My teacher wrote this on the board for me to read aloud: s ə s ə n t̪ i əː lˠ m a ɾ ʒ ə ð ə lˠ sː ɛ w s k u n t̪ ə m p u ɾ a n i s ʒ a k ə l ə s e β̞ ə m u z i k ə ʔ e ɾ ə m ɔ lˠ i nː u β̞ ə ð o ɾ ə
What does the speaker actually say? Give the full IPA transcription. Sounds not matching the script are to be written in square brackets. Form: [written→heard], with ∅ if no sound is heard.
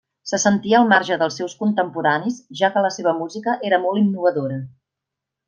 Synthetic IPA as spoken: s ə s ə n t̪ i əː lˠ m a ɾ ʒ ə ð ə lˠ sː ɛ w s k u n t̪ ə m p u ɾ a n i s ʒ a k ə l ə s e β̞ ə m u z i k ə ʔ e ɾ ə m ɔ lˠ i nː u β̞ ə ð o ɾ ə